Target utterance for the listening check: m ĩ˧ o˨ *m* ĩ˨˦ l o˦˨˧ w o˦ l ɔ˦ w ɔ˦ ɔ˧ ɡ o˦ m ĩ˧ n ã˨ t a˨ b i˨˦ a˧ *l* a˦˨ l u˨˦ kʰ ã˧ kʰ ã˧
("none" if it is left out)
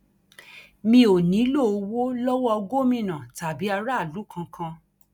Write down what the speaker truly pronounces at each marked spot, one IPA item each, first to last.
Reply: n, ɾ

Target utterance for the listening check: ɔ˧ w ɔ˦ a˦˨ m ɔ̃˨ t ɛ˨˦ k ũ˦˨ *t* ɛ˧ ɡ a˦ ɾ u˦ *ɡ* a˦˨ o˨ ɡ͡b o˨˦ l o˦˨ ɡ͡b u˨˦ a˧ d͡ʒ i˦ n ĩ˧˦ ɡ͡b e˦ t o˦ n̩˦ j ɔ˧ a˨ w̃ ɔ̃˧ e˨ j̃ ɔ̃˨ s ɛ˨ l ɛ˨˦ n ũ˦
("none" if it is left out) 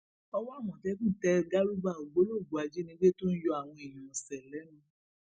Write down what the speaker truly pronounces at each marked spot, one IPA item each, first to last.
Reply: t, b

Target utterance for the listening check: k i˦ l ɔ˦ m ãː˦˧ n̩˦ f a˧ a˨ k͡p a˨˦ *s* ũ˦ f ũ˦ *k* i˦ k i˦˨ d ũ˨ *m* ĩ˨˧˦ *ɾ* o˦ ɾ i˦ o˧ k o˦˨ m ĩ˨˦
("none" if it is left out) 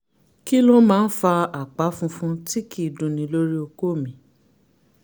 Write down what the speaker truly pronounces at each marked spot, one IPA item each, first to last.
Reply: f, t, n, l

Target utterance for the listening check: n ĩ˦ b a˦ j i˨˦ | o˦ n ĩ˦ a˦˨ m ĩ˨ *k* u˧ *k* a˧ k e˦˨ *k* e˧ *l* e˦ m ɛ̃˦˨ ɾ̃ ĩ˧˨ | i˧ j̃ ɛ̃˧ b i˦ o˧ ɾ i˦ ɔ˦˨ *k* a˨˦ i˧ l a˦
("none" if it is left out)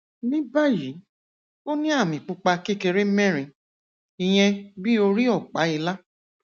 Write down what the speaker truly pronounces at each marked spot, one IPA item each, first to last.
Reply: k͡p, k͡p, k, ɾ, k͡p

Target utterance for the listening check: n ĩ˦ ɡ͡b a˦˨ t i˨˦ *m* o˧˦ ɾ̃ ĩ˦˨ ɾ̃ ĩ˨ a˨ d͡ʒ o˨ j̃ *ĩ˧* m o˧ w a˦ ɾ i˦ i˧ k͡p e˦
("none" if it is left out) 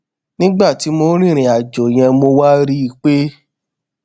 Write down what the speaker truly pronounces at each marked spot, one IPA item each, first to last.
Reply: m, ɛ̃˧

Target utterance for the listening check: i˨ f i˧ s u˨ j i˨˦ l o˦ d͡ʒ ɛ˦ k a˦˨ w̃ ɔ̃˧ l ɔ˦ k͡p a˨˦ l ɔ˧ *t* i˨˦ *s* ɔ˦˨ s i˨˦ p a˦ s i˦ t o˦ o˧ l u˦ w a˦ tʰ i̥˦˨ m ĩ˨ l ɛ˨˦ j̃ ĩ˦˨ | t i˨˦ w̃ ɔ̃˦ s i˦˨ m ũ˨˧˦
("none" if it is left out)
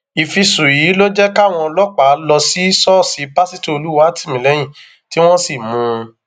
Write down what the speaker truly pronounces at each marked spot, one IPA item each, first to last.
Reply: s, s

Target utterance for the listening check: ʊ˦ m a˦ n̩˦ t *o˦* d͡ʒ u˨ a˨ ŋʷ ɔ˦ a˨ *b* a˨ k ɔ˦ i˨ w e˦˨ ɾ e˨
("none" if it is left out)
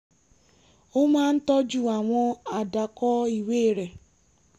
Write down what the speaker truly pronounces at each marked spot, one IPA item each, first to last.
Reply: ɔ˦, d

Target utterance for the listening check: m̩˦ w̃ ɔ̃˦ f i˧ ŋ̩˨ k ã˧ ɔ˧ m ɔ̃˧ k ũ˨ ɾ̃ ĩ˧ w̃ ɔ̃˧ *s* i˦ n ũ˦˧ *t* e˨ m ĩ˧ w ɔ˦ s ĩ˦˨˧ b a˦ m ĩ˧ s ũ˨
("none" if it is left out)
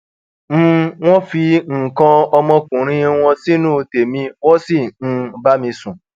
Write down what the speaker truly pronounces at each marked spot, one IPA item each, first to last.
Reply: s, t

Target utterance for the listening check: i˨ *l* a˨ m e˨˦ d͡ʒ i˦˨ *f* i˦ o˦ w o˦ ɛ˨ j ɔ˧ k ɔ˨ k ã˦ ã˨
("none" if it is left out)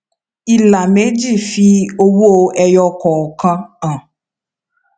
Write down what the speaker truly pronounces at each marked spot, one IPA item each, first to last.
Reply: l, f

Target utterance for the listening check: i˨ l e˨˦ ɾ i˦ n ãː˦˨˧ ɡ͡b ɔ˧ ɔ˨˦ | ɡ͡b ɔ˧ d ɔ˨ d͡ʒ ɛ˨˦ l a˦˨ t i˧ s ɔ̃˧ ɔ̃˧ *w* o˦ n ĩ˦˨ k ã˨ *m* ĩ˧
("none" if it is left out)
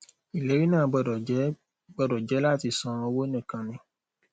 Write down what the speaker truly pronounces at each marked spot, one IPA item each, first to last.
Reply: w, n

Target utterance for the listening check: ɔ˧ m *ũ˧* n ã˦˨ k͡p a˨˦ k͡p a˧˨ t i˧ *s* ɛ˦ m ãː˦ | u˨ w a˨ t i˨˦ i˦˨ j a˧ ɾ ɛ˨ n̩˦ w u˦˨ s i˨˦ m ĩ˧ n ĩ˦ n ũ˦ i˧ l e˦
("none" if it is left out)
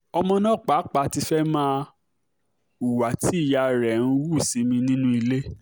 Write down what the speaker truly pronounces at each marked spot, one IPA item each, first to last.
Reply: ɔ̃˧, f

